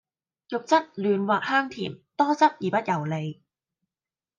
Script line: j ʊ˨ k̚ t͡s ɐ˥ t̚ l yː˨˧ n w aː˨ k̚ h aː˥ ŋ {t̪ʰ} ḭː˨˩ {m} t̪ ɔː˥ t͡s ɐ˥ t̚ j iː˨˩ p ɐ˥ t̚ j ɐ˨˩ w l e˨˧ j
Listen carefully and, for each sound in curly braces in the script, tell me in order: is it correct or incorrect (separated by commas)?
correct, correct